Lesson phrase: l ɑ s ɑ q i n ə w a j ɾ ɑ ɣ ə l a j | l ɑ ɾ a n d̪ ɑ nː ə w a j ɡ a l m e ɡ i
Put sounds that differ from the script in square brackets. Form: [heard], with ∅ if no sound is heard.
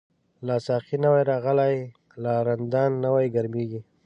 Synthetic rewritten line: l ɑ s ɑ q i n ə w a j ɾ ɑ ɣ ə l a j | l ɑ ɾ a n d̪ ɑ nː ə w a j ɡ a [ɾ] m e ɡ i